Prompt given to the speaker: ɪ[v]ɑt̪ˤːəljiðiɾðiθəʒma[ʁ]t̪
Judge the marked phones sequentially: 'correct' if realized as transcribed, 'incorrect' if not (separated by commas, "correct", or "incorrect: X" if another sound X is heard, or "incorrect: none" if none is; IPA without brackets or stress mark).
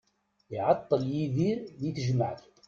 incorrect: ʕ, incorrect: ʕ